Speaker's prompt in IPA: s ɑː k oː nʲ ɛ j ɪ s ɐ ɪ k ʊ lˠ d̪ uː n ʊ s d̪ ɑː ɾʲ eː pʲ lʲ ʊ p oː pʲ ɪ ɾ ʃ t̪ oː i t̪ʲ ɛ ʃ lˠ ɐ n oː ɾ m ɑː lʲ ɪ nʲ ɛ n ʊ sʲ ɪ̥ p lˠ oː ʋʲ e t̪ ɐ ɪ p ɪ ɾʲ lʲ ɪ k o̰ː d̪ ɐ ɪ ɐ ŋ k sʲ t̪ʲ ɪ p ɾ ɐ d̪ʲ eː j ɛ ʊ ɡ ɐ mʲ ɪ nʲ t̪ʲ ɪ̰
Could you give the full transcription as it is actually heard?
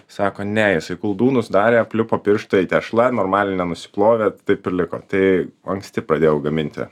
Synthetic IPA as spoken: s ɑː k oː nʲ ɛ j ɪ s ɐ ɪ k ʊ lˠ d̪ uː n ʊ s d̪ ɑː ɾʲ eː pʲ lʲ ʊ p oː pʲ ɪ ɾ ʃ t̪ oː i t̪ʲ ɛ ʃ lˠ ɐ n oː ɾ m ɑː lʲ ɪ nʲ ɛ n ʊ sʲ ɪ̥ p lˠ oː ʋʲ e t̪ ɐ ɪ p ɪ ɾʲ lʲ ɪ k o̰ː t̪ ɐ ɪ ɐ ŋ k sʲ t̪ʲ ɪ p ɾ ɐ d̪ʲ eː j ɛ ʊ ɡ ɐ mʲ ɪ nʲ t̪ʲ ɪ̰